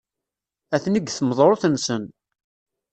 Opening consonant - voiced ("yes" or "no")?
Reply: no